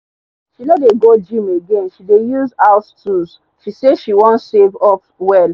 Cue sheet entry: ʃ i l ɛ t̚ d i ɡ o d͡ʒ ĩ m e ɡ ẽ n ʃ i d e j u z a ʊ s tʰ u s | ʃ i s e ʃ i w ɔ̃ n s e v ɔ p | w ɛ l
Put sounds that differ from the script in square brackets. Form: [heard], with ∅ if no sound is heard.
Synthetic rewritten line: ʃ i l ɛ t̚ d [e] ɡ o d͡ʒ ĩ m e ɡ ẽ n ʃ i d e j u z a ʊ s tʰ u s | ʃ i s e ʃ i w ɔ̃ n s e v ɔ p | w ɛ l